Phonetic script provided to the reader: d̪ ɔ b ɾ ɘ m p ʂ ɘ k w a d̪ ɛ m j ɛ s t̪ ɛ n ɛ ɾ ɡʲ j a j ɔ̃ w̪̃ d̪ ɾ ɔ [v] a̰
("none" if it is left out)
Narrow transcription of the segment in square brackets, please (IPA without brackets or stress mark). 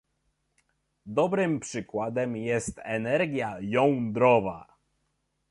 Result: v